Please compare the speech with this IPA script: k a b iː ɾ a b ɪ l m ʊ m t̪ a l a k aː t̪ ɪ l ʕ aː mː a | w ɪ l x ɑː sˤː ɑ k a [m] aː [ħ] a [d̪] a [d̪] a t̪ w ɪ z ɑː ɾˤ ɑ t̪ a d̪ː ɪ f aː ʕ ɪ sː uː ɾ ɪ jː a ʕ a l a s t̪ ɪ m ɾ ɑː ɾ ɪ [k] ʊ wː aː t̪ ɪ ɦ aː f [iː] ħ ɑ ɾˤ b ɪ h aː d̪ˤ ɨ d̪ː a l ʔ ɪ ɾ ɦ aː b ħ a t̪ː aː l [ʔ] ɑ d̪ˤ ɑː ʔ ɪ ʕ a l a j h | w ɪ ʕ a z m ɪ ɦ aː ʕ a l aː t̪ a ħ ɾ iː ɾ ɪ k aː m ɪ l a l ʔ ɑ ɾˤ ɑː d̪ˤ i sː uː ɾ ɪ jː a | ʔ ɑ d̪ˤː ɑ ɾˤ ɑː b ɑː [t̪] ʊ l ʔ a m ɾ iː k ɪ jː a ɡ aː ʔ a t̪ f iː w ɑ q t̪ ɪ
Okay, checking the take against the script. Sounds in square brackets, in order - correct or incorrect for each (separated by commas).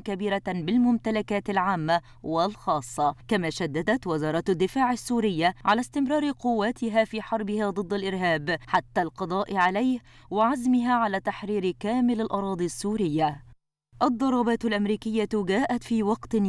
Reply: correct, incorrect, incorrect, correct, incorrect, correct, incorrect, correct